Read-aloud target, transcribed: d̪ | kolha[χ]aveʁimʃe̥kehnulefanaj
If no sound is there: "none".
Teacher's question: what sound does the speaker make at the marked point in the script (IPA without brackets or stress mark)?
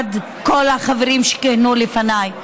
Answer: χ